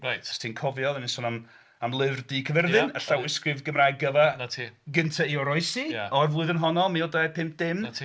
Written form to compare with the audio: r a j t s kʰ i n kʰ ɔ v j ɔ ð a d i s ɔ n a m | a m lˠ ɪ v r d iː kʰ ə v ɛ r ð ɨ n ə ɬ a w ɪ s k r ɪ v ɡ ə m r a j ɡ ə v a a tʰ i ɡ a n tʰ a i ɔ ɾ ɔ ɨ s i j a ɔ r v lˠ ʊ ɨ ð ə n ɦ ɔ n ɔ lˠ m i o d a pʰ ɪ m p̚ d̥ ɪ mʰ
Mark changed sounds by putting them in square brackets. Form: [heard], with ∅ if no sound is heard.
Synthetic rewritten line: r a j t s [tʰ] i n kʰ ɔ v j ɔ ð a [n] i s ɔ n a m | a m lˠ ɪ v r d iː kʰ ə v ɛ r ð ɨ n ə ɬ a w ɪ s k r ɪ v ɡ ə m r a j ɡ ə v a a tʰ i ɡ [ə] n tʰ a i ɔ ɾ ɔ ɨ s i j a ɔ r v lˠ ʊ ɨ ð ə n ɦ ɔ n ɔ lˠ m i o d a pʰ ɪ m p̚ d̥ ɪ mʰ